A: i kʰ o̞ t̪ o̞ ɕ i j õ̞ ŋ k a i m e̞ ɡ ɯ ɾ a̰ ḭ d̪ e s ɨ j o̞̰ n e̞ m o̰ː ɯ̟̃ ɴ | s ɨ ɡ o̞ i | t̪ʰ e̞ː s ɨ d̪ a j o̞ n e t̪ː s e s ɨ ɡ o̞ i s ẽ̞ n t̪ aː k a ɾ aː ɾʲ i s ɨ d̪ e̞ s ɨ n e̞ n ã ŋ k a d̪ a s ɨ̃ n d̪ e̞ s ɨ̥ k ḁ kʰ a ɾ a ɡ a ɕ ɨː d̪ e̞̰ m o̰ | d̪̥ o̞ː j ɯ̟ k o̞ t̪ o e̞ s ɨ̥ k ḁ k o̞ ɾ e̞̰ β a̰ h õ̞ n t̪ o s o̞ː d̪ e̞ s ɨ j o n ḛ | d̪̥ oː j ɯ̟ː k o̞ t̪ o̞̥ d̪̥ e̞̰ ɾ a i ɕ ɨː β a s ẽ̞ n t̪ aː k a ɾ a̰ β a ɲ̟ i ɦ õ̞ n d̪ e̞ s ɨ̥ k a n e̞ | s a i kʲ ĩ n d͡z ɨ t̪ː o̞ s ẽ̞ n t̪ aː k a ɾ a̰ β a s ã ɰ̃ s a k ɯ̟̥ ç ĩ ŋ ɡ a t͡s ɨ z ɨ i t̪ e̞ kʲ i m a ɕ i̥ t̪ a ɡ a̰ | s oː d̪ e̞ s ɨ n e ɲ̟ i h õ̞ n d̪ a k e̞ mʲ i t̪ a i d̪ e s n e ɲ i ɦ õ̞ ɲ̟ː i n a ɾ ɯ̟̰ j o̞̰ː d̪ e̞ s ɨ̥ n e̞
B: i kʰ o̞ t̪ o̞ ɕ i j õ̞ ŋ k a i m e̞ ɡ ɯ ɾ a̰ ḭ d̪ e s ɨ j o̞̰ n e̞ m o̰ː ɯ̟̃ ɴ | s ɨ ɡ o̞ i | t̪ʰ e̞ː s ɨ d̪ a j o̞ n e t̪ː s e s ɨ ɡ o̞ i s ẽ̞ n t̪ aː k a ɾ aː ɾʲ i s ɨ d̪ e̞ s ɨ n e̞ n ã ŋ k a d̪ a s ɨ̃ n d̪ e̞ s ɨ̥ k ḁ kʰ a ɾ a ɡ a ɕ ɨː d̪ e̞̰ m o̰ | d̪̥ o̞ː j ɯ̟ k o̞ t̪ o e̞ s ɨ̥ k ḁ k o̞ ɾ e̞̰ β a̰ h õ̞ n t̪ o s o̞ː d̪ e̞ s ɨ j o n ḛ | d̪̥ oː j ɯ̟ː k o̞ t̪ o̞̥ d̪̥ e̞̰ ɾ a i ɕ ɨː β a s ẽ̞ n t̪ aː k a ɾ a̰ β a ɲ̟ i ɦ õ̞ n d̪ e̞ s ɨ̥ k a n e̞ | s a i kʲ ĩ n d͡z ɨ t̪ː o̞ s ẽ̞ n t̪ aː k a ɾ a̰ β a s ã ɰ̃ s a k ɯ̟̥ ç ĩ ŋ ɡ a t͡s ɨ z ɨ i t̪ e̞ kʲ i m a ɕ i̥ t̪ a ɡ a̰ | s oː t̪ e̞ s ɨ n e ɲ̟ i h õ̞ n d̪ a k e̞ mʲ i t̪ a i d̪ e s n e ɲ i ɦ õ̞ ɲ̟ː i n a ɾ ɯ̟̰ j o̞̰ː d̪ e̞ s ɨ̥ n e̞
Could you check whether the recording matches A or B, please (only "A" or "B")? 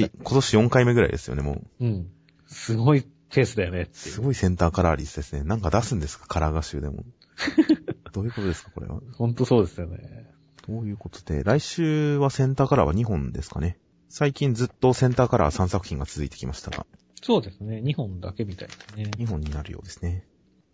A